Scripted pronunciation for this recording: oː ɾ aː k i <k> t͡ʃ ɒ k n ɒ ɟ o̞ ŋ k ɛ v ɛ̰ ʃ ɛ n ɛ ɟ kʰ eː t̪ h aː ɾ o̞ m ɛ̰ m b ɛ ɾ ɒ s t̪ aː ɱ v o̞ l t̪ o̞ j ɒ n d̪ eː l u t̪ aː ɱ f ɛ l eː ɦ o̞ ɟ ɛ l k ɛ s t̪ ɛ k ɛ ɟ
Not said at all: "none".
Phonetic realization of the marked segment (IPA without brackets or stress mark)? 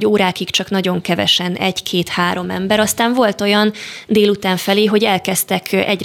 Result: k